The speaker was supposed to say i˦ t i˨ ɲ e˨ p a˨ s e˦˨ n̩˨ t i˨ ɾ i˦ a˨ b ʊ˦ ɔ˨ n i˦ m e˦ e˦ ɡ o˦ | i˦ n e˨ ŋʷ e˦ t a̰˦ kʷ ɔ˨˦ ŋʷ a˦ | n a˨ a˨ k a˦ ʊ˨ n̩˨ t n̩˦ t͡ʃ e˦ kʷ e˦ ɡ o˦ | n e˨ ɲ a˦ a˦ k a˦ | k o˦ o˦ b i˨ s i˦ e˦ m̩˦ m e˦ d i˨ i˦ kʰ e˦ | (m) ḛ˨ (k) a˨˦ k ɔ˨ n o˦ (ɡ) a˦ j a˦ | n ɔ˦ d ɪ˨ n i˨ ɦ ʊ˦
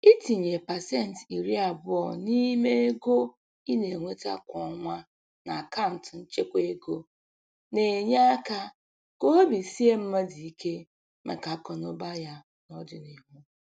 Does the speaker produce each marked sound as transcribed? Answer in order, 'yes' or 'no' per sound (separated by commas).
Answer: yes, yes, no